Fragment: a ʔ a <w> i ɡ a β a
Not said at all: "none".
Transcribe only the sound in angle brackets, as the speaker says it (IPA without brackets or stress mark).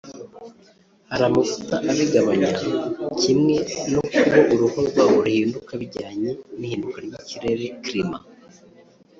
β